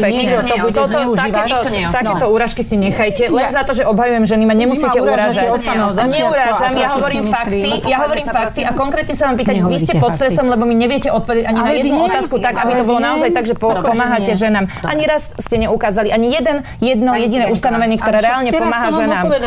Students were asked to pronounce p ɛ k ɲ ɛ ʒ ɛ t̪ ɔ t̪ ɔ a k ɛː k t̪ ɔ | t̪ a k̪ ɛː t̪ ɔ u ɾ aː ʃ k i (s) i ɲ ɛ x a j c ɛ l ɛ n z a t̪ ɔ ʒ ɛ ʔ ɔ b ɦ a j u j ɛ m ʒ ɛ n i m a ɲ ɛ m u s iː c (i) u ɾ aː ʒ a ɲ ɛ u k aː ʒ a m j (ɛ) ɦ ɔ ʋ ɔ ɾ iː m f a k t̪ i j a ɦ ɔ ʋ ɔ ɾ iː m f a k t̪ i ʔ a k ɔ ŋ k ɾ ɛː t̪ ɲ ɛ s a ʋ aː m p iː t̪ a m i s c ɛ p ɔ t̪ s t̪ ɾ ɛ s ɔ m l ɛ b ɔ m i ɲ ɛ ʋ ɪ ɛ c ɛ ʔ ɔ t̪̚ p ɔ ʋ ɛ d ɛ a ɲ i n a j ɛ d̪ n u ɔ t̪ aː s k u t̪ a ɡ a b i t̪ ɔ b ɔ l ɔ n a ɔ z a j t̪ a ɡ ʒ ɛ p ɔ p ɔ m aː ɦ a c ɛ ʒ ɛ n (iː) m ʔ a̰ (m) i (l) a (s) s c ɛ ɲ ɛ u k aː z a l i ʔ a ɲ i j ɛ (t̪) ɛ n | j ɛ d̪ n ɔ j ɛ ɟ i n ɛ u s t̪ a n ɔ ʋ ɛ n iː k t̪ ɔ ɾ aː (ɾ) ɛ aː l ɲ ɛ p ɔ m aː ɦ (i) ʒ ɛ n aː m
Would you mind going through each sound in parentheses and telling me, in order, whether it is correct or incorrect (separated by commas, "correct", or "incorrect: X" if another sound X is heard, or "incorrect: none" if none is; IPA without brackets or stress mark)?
correct, incorrect: ɛ, incorrect: a, incorrect: aː, incorrect: ɲ, incorrect: ɾ, correct, incorrect: d̪, correct, incorrect: a